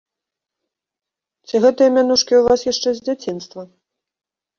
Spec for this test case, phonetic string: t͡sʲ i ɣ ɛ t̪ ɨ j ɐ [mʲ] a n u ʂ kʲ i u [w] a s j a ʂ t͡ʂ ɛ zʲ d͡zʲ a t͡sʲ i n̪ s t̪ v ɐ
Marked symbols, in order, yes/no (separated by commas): yes, no